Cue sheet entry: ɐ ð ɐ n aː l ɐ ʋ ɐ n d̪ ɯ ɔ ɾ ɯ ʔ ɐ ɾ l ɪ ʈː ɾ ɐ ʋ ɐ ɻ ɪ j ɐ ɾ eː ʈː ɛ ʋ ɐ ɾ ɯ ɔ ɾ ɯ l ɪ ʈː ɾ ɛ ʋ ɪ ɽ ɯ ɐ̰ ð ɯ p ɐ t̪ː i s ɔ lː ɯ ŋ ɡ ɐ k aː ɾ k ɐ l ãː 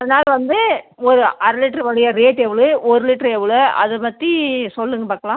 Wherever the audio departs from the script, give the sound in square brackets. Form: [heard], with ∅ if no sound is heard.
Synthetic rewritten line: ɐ ð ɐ n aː l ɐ ʋ ɐ n d̪ ɯ ɔ ɾ ɯ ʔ ɐ ɾ l ɪ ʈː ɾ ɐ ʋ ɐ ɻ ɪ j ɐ ɾ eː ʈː ɛ ʋ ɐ [ɭ] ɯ ɔ ɾ ɯ l ɪ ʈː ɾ ɛ ʋ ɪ [ɭ] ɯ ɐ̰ ð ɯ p ɐ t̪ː i s ɔ lː ɯ ŋ ɡ ɐ [p] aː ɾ k ɐ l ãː

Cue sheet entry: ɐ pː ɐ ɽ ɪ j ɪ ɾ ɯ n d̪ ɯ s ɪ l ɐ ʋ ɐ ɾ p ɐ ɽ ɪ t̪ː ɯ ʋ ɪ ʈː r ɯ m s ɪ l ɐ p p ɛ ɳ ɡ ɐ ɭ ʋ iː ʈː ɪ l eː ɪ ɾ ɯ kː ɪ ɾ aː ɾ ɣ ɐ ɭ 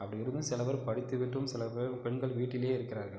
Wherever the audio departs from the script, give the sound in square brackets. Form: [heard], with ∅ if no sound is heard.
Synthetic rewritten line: ɐ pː ɐ ɽ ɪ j ɪ ɾ ɯ n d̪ ɯ s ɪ l ɐ ʋ ɐ ɾ p ɐ ɽ ɪ t̪ː ɯ ʋ ɪ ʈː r ɯ m s ɪ l ɐ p p ɛ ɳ ɡ ɐ ɭ ʋ iː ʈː ɪ l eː ɪ ɾ ɯ kː ɪ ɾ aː ɾ ɣ ɐ ɭ

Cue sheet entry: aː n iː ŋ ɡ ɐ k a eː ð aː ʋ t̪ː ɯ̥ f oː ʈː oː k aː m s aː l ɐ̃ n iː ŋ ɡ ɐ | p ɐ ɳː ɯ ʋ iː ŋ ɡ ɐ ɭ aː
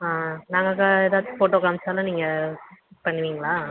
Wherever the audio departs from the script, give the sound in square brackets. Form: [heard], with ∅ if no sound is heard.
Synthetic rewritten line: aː n [aː] ŋ ɡ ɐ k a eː ð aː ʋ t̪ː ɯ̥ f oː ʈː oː k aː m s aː l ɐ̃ n iː ŋ ɡ ɐ | p ɐ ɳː ɯ ʋ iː ŋ ɡ ɐ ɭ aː

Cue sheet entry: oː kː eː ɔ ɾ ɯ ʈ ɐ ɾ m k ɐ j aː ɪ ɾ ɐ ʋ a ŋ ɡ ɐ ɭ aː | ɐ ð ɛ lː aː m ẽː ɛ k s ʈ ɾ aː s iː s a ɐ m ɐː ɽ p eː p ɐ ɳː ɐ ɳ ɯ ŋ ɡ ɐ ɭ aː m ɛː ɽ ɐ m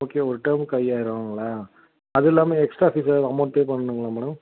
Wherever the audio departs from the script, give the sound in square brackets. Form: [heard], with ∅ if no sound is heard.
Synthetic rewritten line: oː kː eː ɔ ɾ ɯ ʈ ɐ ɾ m k ɐ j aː ɪ ɾ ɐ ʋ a ŋ ɡ ɐ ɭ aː | ɐ ð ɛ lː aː m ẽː ɛ k s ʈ ɾ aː [f] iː s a ɐ m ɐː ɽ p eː p ɐ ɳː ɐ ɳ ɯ ŋ ɡ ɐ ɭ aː m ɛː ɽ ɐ m

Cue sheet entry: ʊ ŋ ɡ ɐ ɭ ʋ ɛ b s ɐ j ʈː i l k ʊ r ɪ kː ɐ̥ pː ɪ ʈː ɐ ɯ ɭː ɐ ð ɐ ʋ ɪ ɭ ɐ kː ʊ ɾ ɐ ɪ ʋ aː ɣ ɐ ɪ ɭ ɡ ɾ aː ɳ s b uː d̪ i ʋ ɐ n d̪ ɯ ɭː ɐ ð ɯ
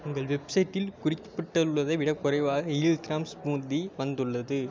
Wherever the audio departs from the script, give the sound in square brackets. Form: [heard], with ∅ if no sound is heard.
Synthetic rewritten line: ʊ ŋ ɡ ɐ ɭ ʋ ɛ b s ɐ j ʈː [ɪ] l k ʊ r ɪ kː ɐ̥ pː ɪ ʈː ɐ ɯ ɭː ɐ ð ɐ ʋ ɪ [ɽ] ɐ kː ʊ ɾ ɐ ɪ ʋ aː ɣ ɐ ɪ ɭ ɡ ɾ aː [m] s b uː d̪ i ʋ ɐ n d̪ ɯ ɭː ɐ ð ɯ

